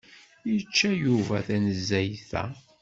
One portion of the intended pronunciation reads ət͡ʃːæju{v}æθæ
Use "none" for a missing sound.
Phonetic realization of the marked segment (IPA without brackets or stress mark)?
v